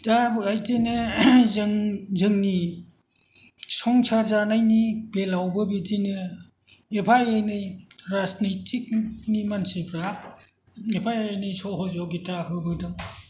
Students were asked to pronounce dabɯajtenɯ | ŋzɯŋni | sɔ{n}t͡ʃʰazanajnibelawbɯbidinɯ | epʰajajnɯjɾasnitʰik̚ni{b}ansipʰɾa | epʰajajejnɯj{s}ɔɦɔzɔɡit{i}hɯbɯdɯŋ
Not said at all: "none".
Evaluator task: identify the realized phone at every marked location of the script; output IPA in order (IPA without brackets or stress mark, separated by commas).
ŋ, m, s, a